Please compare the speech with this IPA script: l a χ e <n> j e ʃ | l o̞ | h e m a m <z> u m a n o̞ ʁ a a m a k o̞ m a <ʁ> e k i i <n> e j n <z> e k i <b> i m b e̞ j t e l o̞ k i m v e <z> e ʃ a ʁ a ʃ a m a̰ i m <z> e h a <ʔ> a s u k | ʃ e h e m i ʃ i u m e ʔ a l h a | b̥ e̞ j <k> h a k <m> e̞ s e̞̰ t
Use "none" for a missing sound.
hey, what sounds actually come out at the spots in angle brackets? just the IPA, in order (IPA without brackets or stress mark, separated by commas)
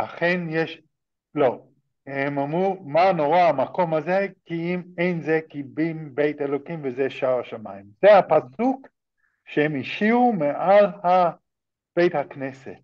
n, ʁ, z, m, z, b, z, z, p, t, n